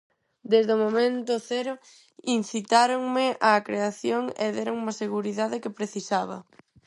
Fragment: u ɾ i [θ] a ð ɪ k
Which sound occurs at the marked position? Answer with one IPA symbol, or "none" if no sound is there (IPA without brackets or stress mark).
ð